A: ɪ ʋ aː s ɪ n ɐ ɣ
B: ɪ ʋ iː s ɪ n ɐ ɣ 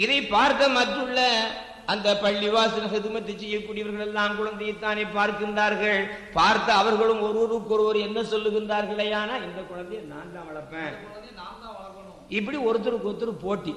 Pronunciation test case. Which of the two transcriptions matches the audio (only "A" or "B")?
A